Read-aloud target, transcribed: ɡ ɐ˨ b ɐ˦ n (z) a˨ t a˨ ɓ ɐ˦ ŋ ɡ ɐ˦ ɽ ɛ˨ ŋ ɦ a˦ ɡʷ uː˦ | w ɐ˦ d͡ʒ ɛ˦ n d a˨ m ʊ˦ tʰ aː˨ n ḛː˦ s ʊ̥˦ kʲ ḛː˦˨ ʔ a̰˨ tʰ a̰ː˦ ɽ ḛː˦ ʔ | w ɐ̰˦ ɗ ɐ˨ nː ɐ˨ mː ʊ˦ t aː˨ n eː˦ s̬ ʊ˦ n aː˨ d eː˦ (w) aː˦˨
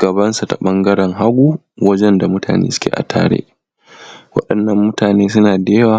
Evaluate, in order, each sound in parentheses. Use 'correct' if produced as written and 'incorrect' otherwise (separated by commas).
incorrect, correct